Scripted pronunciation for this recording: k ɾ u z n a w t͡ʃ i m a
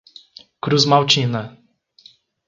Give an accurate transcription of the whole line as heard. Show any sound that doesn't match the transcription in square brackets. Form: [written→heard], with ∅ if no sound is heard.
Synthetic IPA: k ɾ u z [n→m] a w t͡ʃ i [m→n] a